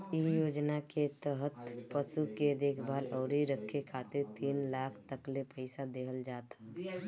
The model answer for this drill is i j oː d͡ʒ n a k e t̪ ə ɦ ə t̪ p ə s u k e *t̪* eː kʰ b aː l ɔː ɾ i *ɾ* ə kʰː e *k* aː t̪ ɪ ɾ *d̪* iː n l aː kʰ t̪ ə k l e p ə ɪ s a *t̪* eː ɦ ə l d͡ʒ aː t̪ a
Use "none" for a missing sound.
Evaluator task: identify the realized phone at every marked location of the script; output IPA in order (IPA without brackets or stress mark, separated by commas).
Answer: d̪, ɾ, kʰ, t̪, d̪